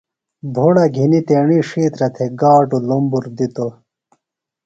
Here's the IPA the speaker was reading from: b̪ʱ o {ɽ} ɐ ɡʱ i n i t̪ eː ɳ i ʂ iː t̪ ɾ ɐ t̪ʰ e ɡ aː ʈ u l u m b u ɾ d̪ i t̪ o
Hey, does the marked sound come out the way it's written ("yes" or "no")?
yes